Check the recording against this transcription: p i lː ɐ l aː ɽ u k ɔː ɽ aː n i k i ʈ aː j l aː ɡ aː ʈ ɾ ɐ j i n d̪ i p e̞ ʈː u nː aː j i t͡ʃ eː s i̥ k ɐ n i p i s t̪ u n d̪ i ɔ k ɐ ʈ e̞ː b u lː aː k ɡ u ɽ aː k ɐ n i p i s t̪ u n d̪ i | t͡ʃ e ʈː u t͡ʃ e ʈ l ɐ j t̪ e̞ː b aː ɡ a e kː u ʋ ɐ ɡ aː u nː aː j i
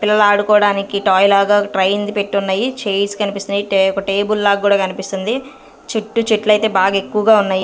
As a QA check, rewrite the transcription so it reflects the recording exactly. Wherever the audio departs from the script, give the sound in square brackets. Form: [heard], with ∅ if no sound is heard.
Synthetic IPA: p i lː ɐ l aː ɽ u k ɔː ɽ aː n i k i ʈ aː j l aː ɡ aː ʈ ɾ ɐ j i n d̪ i p e̞ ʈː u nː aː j i t͡ʃ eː s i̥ k ɐ n i p i s t̪ u n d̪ i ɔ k ɐ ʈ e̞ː b u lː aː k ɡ [uː] ɽ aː k ɐ n i p i s t̪ u n d̪ i | t͡ʃ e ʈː u t͡ʃ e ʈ l ɐ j t̪ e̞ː b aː ɡ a e kː u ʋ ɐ ɡ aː u nː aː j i